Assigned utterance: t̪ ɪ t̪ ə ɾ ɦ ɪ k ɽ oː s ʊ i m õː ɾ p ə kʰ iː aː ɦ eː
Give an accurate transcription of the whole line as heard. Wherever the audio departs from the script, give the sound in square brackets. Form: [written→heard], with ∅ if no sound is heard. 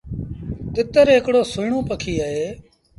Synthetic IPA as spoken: t̪ ɪ t̪ ə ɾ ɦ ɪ k ɽ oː s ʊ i [m→ɳ] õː [ɾ→∅] p ə kʰ iː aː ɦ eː